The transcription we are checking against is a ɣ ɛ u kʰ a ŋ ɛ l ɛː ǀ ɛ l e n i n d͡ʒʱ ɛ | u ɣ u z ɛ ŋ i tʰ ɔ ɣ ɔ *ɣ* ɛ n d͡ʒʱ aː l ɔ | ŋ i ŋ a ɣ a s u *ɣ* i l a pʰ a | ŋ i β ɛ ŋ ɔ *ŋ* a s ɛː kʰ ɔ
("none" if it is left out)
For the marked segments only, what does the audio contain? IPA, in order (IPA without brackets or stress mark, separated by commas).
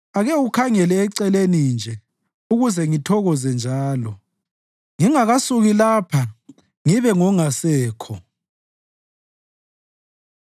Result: z, ɣ, ŋ